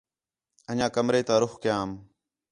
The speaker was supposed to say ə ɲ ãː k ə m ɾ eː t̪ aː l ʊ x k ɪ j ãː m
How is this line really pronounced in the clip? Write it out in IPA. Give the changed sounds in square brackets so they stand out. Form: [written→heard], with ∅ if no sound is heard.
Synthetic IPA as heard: ə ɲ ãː k ə m ɾ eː t̪ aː [l→ɾ] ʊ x k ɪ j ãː m